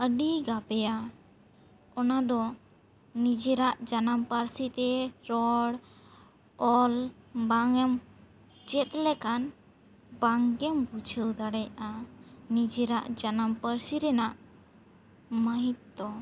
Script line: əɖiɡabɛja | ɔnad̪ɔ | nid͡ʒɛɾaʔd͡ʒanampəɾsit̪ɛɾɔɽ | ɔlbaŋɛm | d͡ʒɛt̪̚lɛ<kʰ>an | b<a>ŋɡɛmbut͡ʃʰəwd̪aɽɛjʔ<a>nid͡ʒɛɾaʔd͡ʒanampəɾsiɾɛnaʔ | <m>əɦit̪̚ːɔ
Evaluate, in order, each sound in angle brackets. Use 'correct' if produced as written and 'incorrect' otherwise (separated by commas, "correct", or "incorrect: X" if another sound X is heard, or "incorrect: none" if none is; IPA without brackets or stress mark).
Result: incorrect: k, correct, correct, correct